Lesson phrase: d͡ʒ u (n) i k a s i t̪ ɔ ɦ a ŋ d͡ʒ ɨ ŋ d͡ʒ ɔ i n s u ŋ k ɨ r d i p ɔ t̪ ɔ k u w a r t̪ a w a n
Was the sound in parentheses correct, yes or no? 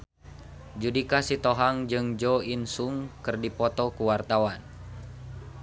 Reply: no